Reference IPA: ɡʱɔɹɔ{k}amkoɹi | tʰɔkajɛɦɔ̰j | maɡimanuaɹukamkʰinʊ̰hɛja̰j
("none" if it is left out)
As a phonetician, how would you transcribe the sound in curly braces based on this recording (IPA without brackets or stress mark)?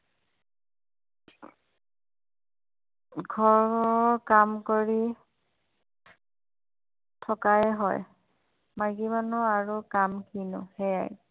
k